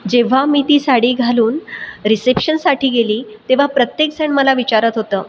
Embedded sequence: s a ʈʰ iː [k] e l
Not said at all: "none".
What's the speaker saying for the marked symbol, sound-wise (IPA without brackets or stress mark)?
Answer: ɡ